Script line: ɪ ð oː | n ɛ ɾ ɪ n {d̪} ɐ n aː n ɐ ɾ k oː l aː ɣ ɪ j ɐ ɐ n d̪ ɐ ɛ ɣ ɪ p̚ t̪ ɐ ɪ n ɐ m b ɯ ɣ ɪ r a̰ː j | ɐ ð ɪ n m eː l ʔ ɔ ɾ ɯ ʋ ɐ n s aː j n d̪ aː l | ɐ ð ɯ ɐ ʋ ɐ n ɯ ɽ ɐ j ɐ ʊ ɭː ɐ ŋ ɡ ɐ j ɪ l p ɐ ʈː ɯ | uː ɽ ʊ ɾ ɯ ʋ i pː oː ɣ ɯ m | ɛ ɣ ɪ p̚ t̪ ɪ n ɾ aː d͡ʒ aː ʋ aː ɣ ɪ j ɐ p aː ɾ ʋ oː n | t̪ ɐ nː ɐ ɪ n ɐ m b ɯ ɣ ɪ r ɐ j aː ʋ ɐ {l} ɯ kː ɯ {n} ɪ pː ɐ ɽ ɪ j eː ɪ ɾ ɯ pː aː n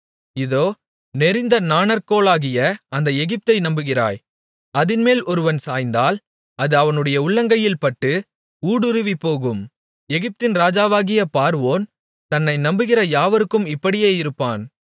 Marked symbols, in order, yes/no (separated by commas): yes, no, no